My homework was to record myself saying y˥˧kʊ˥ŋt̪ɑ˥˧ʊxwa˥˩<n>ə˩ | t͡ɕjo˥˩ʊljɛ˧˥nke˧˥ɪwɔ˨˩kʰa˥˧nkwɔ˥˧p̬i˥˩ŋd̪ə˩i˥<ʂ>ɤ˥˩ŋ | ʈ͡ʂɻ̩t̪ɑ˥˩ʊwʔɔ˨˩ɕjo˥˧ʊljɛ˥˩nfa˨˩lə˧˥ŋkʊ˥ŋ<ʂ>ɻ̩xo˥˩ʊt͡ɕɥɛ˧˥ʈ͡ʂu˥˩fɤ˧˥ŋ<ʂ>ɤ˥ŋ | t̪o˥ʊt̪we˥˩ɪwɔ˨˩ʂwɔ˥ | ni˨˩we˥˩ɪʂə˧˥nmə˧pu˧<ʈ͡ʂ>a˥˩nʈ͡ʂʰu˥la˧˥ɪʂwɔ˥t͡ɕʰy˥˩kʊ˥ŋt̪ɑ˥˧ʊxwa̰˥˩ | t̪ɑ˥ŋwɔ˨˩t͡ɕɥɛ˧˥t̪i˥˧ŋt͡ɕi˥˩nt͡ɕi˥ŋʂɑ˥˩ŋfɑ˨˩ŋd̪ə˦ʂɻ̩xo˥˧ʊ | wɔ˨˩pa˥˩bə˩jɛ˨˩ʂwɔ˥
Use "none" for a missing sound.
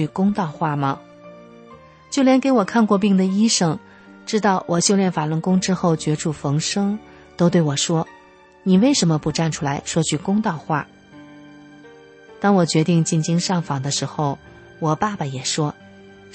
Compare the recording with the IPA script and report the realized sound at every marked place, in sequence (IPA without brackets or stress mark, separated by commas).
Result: m, ʂ, ʈ͡ʂ, ʂ, ʈ͡ʂ